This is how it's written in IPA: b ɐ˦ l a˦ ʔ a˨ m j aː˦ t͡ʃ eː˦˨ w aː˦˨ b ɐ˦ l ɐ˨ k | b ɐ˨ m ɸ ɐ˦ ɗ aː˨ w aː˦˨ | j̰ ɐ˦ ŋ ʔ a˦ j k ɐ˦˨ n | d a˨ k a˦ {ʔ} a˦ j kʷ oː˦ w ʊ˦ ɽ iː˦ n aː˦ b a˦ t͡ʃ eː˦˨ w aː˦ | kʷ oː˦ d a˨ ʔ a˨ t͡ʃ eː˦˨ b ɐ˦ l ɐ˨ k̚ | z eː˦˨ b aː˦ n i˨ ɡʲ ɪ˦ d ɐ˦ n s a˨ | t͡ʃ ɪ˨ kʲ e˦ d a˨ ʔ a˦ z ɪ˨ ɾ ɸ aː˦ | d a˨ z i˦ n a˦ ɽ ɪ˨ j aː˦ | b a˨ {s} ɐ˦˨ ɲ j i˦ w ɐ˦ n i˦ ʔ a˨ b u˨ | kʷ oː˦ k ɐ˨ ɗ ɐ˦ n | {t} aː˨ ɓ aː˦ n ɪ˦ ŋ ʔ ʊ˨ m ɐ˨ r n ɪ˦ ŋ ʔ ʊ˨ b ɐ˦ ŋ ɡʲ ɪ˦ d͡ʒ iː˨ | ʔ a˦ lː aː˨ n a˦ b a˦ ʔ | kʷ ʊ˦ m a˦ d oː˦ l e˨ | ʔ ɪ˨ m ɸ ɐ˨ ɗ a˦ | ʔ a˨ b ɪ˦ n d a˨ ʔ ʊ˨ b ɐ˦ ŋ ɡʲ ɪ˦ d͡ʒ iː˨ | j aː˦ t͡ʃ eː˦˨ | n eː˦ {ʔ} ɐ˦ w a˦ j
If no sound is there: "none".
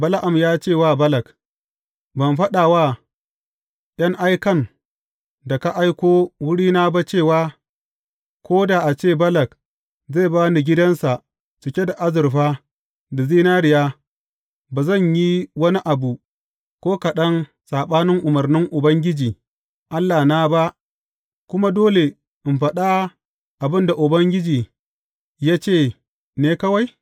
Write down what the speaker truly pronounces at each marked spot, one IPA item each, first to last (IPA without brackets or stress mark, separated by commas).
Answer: ʔ, z, s, k